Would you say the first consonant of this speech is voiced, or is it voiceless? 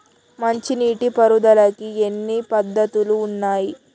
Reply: voiced